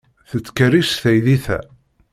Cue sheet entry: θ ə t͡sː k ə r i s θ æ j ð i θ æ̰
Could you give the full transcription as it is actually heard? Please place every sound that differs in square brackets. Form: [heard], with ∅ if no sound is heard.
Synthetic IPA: θ ə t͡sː k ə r i s θ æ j ð i θ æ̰